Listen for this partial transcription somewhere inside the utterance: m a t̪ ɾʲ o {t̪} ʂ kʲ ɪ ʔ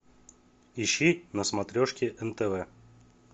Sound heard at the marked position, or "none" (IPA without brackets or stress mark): none